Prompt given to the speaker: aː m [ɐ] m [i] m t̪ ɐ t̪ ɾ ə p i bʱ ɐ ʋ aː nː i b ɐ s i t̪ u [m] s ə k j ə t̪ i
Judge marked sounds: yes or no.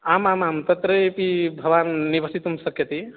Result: no, no, yes

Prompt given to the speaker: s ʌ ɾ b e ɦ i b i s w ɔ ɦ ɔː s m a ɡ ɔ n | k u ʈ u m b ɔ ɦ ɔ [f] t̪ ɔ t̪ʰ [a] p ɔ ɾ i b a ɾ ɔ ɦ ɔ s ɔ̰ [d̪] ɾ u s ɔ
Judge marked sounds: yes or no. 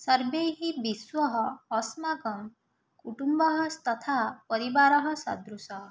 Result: no, yes, yes

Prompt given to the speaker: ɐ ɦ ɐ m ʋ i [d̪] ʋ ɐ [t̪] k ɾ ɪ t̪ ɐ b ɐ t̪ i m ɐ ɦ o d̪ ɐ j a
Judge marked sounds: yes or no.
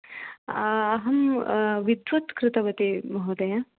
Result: yes, yes

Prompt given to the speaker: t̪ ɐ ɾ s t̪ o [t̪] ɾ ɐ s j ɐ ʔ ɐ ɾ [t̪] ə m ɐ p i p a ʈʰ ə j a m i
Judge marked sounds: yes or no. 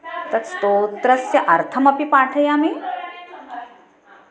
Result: yes, no

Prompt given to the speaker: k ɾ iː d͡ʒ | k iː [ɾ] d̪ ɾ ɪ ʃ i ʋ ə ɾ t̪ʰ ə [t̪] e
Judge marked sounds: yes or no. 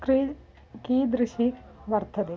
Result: no, no

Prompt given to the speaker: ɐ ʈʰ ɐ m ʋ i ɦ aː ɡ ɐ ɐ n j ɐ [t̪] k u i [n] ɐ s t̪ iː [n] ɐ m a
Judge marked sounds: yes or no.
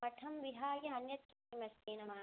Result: yes, no, yes

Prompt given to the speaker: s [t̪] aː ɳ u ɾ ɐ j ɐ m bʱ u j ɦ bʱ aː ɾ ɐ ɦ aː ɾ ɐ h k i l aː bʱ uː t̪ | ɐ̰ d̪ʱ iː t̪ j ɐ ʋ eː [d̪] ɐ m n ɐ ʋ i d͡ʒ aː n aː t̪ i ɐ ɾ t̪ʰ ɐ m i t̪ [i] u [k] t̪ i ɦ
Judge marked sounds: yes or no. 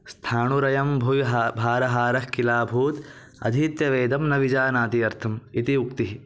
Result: no, yes, yes, yes

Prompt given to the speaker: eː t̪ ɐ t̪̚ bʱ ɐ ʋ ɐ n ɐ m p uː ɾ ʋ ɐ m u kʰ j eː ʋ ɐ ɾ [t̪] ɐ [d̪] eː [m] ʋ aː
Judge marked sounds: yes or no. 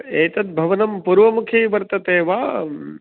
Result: yes, no, no

